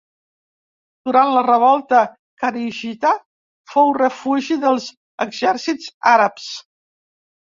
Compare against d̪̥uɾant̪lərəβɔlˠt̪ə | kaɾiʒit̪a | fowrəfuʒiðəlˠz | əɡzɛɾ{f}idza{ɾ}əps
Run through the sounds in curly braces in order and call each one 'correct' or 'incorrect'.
incorrect: s, correct

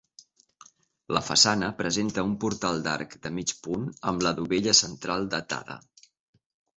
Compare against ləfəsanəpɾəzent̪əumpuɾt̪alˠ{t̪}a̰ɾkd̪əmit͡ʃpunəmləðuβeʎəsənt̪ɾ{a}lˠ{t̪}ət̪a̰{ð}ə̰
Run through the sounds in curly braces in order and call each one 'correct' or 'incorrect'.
incorrect: d̪, correct, incorrect: d̪, correct

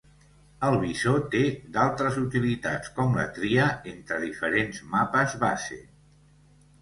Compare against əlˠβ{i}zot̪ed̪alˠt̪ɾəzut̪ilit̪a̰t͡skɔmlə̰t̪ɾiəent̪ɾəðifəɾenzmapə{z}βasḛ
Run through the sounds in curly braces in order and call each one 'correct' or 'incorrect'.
correct, correct

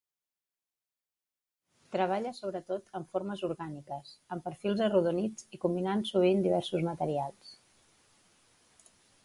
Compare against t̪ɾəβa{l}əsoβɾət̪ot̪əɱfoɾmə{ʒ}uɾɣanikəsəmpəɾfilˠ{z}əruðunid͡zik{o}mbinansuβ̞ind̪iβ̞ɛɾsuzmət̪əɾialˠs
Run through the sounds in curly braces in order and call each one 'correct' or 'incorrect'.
incorrect: ʎ, incorrect: z, correct, incorrect: u

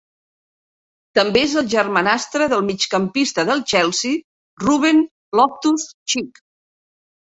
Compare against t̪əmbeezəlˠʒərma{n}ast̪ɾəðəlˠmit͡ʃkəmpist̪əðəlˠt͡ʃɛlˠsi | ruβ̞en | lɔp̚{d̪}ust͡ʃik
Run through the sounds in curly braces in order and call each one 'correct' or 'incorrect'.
correct, incorrect: t̪

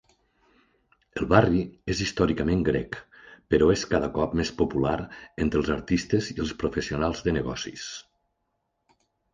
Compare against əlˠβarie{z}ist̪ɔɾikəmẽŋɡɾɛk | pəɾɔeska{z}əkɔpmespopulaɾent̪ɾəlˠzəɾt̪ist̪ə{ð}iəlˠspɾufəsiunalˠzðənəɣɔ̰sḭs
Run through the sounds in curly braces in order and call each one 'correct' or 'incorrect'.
correct, incorrect: ð, incorrect: z

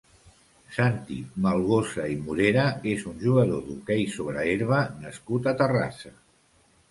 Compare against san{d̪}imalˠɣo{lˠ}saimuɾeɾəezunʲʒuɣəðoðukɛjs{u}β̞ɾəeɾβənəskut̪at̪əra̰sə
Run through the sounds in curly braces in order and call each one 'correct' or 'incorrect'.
incorrect: t̪, incorrect: none, incorrect: o

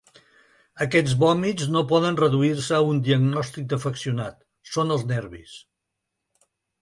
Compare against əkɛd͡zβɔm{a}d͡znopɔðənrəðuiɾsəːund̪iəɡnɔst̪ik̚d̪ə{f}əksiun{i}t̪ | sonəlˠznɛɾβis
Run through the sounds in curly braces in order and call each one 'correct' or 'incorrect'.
incorrect: i, correct, incorrect: a

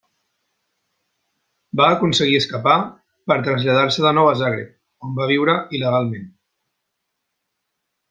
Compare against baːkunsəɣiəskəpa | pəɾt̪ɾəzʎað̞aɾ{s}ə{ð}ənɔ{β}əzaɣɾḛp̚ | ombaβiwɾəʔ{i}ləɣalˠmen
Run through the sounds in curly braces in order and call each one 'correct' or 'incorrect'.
correct, correct, incorrect: w, correct

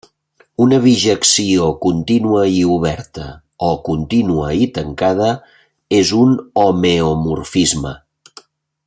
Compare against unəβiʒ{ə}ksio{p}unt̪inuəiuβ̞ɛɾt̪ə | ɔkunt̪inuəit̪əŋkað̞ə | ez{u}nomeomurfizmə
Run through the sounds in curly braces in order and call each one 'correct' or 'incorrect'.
correct, incorrect: k, correct

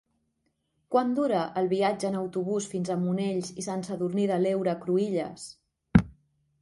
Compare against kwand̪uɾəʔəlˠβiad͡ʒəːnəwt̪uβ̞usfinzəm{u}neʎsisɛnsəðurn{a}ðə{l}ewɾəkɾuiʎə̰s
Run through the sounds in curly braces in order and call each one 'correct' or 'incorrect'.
correct, incorrect: i, correct

